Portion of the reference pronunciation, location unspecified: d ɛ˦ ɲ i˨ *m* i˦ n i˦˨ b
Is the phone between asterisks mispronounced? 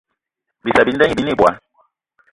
yes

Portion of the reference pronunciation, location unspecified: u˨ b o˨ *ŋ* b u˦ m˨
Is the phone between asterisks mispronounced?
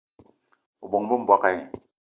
no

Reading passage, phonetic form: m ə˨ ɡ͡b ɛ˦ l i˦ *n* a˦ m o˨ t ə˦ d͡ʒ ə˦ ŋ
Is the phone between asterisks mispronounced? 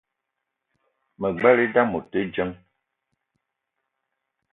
yes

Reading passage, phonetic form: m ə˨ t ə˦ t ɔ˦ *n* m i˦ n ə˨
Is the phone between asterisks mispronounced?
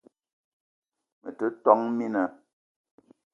yes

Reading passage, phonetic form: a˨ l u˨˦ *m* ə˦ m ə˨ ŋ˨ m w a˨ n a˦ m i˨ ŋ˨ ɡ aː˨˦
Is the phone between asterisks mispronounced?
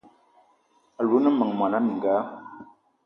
yes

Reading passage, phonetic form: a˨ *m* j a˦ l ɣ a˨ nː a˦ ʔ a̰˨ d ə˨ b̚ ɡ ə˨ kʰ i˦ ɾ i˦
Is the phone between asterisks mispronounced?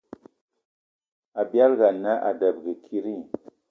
yes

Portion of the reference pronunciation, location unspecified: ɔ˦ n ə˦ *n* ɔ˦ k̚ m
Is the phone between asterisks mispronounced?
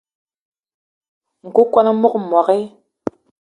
yes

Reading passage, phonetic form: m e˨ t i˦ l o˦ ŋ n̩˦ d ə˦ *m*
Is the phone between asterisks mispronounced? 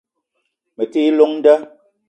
yes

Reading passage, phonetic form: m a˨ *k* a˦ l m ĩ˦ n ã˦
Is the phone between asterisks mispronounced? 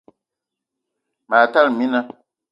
yes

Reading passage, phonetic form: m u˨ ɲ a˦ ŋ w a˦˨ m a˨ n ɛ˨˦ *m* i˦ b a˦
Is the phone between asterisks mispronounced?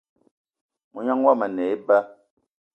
yes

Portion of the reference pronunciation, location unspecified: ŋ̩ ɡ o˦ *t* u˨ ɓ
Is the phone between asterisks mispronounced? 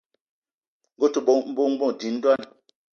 no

